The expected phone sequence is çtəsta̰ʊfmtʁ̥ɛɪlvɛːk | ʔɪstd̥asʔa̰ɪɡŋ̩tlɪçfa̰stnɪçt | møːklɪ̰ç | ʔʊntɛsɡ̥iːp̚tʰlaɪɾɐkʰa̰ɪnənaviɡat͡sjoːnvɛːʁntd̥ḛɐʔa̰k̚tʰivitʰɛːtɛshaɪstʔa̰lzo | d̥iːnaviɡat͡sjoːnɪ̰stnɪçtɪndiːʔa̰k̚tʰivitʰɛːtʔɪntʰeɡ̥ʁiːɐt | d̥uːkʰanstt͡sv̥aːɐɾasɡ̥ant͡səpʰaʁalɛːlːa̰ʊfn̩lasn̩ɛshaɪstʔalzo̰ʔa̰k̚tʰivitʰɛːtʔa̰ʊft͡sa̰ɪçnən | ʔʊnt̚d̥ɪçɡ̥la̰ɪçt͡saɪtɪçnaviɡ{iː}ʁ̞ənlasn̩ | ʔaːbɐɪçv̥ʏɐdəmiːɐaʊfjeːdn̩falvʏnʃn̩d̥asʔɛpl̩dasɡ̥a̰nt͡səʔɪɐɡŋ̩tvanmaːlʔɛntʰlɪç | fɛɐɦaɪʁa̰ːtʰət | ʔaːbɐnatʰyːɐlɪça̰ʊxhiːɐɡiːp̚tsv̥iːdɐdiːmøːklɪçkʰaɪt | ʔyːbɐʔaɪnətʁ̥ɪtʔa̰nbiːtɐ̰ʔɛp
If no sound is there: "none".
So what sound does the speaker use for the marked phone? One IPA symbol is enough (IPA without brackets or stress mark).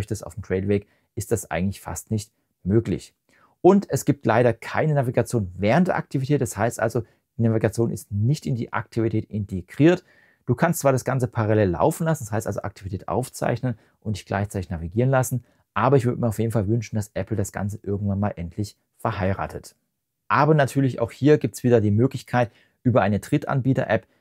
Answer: iː